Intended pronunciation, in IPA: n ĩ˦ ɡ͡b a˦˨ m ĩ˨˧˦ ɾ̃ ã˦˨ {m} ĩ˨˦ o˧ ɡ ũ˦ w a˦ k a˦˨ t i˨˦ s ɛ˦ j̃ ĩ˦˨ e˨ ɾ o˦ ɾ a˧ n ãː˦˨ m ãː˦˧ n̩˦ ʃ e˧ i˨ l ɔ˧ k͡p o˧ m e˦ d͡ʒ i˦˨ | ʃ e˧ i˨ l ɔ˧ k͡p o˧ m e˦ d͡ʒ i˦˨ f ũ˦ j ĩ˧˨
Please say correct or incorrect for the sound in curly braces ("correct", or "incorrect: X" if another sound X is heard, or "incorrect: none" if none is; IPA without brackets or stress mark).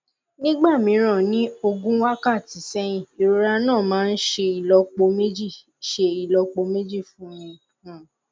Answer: incorrect: n